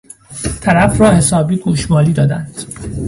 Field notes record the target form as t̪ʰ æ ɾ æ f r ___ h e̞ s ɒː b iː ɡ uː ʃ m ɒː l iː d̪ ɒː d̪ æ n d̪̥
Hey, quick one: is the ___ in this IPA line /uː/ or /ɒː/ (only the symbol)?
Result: ɒː